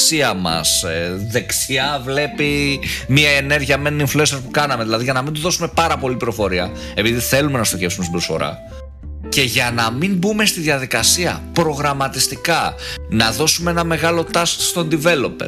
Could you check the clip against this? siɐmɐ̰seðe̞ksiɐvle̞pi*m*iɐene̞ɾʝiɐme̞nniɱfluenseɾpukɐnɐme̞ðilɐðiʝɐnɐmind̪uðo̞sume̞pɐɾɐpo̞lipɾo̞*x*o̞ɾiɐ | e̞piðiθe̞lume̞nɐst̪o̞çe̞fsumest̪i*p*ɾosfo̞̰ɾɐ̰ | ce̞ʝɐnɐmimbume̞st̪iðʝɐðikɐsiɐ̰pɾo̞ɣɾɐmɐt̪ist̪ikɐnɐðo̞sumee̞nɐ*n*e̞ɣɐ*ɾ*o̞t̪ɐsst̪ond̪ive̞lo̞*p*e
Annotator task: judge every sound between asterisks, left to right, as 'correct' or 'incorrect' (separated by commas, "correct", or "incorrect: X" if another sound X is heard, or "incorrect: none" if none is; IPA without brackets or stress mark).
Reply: correct, incorrect: f, incorrect: b, incorrect: m, incorrect: l, correct